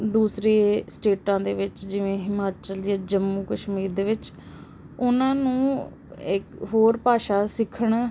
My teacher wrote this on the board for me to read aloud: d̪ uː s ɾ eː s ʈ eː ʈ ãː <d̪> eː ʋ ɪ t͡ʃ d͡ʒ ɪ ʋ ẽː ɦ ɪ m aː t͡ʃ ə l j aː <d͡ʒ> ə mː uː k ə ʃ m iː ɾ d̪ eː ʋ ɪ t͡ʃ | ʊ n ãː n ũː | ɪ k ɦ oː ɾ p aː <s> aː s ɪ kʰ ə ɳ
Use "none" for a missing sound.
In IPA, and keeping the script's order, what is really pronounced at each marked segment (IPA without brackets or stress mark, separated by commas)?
d̪, d͡ʒ, ʃ